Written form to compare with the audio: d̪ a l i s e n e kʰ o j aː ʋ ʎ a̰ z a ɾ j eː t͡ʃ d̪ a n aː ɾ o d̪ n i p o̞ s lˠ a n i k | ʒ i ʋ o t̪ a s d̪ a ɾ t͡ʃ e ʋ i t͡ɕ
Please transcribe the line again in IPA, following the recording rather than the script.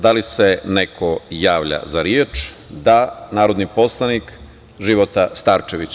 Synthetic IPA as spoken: d̪ a l i s e n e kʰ o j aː ʋ ʎ a̰ z a ɾ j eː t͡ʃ d̪ a n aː ɾ o d̪ n i p o̞ s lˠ a n i k | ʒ i ʋ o t̪ a s t̪ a ɾ t͡ʃ e ʋ i t͡ɕ

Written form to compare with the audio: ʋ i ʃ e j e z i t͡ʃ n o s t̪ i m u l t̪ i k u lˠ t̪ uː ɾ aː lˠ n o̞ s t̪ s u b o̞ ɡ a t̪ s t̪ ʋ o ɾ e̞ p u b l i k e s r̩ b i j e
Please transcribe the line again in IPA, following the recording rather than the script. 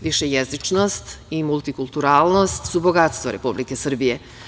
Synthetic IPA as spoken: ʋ i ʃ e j e z i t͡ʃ n o s t̪ i m u l t̪ i k u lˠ t̪ u ɾ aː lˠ n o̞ s t̪ s u b o̞ ɡ a t̪ s t̪ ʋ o ɾ e̞ p u b l i k e s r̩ b i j e

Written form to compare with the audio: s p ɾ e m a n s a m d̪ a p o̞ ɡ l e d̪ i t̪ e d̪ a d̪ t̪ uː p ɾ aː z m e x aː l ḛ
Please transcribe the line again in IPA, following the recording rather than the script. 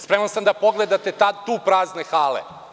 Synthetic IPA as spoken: s p ɾ e m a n s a m d̪ a p o̞ ɡ l e d̪ a t̪ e t̪ a d̪ t̪ uː p ɾ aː z n e x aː l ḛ

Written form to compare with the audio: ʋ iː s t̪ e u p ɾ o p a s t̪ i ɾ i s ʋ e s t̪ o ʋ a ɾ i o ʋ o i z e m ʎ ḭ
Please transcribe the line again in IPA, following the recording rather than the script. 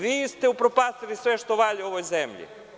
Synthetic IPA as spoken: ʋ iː s t̪ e u p ɾ o p a s t̪ i l i s ʋ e ʃ t̪ o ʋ a ʎ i o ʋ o j z e m ʎ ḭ

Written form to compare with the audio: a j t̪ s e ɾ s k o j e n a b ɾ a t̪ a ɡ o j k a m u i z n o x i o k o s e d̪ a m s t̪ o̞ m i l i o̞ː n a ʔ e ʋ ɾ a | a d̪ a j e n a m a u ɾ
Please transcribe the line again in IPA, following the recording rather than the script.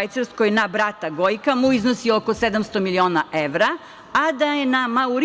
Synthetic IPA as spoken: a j t̪ s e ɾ s k o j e n a b ɾ a t̪ a ɡ o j k a m u i z n o s i o k o s e d̪ a m s t̪ o̞ m i l i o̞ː n a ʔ e ʋ ɾ a | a d̪ a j e n a m a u ɾ

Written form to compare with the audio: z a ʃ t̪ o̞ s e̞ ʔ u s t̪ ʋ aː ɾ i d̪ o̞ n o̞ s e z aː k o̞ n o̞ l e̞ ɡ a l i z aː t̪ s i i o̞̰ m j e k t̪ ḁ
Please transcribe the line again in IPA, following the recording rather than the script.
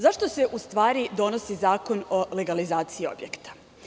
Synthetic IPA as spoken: z a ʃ t̪ o̞ s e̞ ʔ u s t̪ ʋ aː ɾ i d̪ o̞ n o̞ s i z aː k o̞ n o̞ l e̞ ɡ a l i z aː t̪ s i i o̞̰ b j e k t̪ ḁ

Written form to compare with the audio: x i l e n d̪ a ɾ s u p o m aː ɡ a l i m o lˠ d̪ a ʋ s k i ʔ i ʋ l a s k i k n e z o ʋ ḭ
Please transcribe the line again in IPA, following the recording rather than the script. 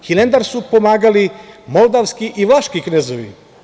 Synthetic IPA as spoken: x i l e n d̪ a ɾ s u p o m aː ɡ a l i m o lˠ d̪ a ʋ s k i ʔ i ʋ l a ʃ k i k n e z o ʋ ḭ

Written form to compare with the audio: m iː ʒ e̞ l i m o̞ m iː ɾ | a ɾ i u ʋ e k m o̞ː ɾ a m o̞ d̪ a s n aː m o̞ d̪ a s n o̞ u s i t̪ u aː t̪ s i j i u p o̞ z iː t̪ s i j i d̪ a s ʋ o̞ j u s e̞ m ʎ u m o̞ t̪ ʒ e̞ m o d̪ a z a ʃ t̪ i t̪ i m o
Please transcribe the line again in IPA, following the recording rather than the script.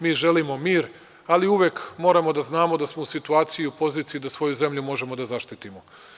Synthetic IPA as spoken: m iː ʒ e̞ l i m o̞ m iː ɾ | a l i u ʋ e k m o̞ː ɾ a m o̞ d̪ a z n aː m o̞ d̪ a s m o̞ u s i t̪ u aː t̪ s i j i u p o̞ z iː t̪ s i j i d̪ a s ʋ o̞ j u z e̞ m ʎ u m o̞ ʒ e̞ m o d̪ a z a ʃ t̪ i t̪ i m o

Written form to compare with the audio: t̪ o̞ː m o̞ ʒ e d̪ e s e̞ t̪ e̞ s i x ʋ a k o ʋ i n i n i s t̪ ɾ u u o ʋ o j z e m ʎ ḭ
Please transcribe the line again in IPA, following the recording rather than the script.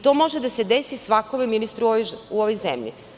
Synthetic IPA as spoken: t̪ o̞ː m o̞ ʒ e d̪ a s e̞ d̪ e̞ s i s ʋ a k o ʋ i m i n i s t̪ ɾ u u o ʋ o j z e m ʎ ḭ

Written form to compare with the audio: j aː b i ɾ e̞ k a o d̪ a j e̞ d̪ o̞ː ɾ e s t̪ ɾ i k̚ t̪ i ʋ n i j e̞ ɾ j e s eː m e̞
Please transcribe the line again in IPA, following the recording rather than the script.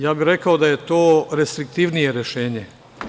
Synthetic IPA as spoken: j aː b i ɾ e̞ k a o d̪ a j e̞ t̪ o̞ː ɾ e s t̪ ɾ i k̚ t̪ i ʋ n i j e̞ ɾ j e ʃ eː ɲ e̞

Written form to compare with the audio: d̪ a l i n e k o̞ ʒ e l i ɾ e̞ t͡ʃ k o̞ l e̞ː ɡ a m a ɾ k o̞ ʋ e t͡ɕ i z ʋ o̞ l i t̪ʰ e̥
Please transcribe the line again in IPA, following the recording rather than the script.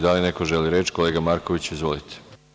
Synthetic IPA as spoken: d̪ a l i n e k o̞ ʒ e l i ɾ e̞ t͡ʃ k o̞ l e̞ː ɡ a m a ɾ k o̞ ʋ i t͡ɕ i z ʋ o̞ l i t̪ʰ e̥

